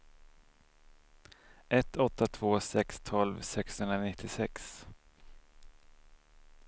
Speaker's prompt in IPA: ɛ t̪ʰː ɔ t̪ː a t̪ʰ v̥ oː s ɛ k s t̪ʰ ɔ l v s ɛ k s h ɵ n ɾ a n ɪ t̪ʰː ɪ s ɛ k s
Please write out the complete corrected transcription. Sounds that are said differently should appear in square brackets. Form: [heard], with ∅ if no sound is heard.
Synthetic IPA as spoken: ɛ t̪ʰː ɔ t̪ː a t̪ʰ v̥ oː s ɛ k s t̪ʰ ɔ l v s ɛ k s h ɵ n ɾ a n ɪ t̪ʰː ɪ s ɛ k s